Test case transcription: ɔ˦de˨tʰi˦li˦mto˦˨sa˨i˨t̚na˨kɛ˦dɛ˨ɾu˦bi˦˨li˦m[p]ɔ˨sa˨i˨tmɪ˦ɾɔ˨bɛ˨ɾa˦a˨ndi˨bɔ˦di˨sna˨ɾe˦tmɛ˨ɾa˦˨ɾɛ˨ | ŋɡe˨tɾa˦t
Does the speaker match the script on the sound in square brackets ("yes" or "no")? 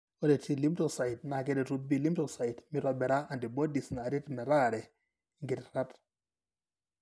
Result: no